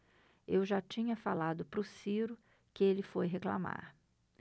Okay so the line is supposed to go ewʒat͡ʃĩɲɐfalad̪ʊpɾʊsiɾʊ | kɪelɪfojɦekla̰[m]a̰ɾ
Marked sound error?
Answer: no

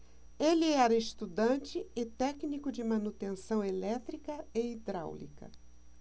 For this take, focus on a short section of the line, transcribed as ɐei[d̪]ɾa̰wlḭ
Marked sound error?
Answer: no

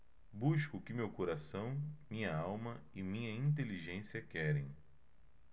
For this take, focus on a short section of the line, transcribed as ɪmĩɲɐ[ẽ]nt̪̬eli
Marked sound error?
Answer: yes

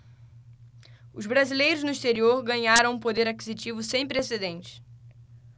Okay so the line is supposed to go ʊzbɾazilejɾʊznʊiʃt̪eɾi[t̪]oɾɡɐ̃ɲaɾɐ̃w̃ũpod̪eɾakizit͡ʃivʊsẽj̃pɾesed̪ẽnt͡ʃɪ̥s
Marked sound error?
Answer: yes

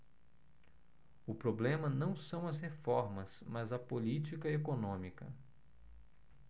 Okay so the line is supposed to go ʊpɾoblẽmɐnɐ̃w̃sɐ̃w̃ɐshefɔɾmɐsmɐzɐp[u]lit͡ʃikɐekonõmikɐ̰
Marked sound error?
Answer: yes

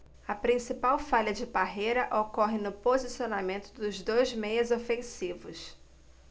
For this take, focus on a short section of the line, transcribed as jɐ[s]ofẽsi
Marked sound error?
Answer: yes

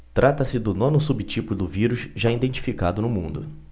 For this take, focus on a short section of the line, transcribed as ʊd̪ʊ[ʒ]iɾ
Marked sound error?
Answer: yes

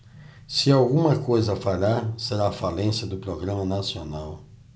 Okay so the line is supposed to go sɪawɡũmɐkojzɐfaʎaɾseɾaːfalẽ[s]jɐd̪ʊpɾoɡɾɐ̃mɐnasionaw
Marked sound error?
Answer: no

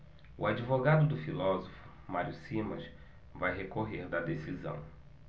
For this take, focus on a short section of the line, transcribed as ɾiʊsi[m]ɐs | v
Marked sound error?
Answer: no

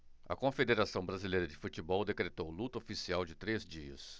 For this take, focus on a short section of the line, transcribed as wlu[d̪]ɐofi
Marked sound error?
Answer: yes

